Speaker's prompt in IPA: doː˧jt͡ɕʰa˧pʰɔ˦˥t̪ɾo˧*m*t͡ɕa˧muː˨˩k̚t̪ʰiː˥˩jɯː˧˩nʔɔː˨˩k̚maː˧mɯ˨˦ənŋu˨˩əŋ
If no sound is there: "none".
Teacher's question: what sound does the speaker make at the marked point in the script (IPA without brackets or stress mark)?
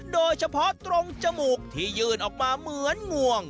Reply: ŋ